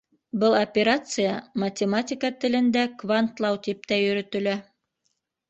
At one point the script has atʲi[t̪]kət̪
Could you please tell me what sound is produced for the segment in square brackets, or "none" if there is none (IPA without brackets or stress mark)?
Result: none